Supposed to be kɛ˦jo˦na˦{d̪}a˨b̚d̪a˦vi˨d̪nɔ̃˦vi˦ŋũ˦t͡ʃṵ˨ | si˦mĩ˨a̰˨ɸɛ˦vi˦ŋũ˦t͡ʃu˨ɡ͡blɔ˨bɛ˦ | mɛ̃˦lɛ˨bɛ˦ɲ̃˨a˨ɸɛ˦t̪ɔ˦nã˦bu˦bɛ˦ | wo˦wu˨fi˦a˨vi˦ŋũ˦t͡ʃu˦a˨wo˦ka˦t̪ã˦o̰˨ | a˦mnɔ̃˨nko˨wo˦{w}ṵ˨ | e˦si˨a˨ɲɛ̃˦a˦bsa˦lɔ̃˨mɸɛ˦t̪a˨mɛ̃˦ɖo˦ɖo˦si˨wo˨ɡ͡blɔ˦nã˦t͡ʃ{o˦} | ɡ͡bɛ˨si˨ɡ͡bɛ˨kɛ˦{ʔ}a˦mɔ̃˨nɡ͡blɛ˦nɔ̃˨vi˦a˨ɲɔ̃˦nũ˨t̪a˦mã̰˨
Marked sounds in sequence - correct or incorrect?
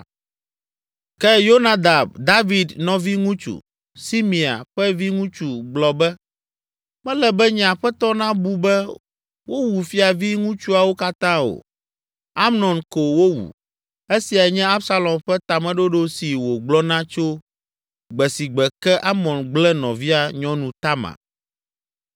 correct, correct, correct, correct

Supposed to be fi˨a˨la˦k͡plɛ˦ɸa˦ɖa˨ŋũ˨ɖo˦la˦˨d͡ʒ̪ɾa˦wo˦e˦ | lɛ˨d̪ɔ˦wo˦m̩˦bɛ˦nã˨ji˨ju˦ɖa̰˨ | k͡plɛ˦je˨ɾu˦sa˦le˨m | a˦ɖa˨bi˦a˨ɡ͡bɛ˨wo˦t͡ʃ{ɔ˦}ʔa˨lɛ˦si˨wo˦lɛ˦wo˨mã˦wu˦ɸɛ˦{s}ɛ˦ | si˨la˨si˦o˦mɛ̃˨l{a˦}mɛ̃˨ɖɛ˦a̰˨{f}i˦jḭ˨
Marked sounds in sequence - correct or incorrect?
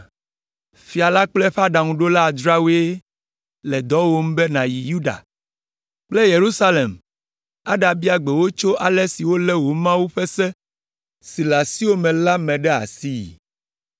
incorrect, correct, correct, incorrect

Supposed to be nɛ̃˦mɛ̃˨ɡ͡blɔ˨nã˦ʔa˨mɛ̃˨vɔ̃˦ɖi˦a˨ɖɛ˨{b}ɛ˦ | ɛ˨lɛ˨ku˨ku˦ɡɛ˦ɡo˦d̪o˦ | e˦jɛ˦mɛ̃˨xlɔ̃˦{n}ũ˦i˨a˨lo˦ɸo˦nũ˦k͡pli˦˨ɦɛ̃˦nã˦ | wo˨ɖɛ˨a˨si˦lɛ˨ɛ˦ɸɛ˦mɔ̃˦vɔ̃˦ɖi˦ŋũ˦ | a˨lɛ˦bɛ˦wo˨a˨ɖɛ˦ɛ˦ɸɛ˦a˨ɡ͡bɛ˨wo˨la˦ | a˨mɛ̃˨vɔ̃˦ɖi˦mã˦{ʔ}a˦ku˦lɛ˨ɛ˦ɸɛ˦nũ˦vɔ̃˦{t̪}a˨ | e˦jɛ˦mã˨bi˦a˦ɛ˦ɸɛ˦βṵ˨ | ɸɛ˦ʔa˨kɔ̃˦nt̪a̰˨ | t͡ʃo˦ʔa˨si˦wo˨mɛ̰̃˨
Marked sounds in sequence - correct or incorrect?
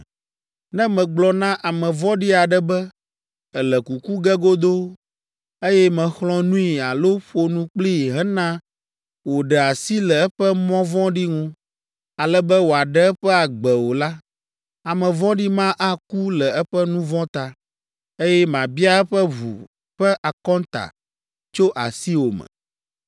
correct, correct, correct, correct

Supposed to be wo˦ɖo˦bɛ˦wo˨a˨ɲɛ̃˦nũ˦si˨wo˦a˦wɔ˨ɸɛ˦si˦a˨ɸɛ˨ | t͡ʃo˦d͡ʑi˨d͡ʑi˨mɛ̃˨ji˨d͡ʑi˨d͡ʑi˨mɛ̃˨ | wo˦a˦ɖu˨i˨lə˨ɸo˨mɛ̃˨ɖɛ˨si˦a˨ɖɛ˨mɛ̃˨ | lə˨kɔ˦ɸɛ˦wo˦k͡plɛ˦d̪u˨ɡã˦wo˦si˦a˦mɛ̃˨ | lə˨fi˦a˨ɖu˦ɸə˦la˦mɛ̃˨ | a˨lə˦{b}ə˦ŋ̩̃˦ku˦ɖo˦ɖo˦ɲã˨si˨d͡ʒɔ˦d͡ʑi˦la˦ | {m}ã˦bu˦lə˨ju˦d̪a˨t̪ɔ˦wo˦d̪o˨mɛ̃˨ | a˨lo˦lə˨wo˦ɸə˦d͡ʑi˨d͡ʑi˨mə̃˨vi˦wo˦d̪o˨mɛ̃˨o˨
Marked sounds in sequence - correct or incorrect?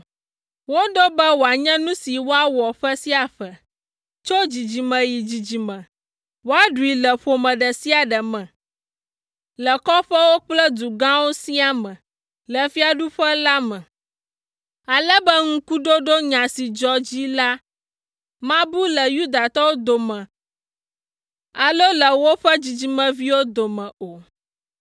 correct, correct

